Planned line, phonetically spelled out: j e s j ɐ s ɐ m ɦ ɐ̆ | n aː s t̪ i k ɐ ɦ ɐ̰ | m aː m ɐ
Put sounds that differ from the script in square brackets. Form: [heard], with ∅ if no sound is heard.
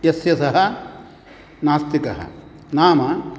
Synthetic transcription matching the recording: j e s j ɐ s ɐ [∅] ɦ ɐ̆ | n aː s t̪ i k ɐ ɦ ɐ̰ | [n] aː m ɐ